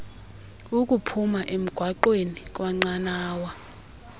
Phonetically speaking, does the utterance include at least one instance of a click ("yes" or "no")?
yes